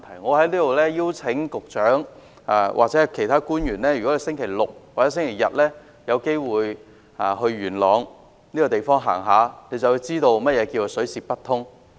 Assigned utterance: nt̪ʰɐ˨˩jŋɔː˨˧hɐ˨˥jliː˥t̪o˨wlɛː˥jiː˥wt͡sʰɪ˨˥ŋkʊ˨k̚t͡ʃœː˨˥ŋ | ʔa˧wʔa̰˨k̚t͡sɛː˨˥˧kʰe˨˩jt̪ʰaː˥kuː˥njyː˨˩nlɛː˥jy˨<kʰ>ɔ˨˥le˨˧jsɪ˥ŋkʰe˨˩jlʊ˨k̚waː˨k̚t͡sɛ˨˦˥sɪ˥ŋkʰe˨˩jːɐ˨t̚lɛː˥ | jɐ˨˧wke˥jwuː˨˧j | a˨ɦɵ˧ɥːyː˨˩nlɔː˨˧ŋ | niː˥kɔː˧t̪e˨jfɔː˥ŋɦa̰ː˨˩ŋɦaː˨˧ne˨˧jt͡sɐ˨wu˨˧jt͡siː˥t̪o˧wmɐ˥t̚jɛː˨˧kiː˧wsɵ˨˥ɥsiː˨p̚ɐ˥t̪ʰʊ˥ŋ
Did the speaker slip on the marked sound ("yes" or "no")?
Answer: yes